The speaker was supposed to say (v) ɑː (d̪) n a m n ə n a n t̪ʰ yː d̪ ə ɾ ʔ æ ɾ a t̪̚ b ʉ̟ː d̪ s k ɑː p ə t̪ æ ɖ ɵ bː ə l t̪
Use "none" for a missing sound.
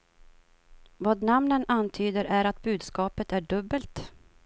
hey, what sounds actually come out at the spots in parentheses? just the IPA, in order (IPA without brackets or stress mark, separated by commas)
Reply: v, d̪